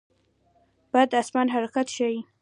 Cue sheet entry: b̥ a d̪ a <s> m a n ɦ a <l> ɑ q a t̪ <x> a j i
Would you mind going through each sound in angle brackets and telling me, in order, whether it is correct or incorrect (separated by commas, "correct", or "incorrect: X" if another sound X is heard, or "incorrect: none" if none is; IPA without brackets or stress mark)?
correct, incorrect: ɾ, incorrect: ʃ